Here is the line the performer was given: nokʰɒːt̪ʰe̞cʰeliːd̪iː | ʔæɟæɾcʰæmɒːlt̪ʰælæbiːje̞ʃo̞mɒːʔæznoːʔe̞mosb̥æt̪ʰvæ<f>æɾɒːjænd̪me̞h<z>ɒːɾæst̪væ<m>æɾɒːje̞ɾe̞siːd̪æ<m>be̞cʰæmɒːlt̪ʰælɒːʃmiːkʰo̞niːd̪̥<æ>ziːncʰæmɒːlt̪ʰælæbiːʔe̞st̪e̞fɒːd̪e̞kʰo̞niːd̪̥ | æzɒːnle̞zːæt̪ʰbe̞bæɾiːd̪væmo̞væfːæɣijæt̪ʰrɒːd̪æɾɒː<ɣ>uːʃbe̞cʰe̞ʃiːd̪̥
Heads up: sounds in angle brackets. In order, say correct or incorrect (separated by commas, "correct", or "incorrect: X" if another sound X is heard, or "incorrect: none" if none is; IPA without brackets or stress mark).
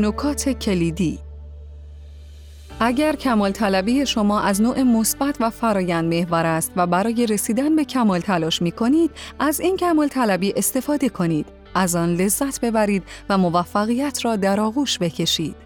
correct, incorrect: v, incorrect: b, incorrect: n, correct, correct